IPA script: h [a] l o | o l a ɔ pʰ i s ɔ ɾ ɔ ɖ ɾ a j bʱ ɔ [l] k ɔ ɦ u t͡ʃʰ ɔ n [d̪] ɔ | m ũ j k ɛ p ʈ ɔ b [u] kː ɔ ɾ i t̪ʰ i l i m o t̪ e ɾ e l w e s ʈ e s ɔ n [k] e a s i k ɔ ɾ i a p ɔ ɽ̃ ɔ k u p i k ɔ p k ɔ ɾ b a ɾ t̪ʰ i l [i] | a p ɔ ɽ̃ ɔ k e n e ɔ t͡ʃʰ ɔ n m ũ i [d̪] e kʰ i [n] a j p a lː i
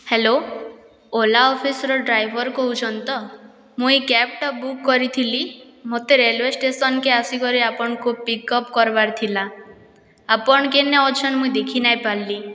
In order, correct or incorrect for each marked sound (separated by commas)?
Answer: incorrect, incorrect, incorrect, correct, correct, incorrect, correct, correct